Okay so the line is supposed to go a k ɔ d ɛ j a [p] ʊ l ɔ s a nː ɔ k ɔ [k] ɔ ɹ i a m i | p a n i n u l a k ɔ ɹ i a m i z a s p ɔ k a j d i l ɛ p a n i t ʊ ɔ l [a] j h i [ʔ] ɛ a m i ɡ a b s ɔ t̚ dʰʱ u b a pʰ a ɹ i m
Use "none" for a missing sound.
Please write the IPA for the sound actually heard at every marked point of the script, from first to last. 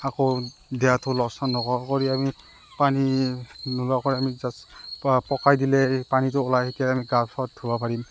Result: t, k, a, k

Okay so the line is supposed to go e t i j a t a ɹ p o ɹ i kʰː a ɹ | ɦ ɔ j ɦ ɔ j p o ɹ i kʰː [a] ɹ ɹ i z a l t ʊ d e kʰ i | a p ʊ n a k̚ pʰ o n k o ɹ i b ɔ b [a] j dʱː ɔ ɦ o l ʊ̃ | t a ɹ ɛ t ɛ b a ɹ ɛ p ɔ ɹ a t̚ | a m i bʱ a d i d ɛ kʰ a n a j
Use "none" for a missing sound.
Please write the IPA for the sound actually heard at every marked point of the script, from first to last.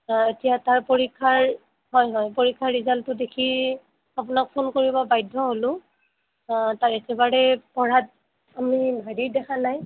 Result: a, a

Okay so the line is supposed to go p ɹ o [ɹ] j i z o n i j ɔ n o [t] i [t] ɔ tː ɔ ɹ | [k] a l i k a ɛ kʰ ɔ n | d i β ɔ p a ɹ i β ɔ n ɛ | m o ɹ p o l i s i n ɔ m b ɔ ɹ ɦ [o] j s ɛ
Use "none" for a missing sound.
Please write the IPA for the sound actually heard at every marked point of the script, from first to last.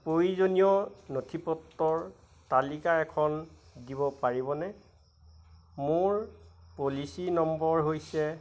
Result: none, tʰ, p, t, o

